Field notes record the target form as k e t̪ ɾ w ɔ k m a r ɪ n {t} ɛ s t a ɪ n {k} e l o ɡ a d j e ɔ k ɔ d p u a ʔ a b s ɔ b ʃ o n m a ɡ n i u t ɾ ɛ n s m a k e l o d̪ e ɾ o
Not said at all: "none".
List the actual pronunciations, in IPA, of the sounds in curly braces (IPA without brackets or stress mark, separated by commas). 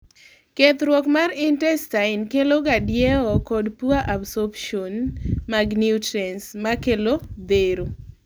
t, k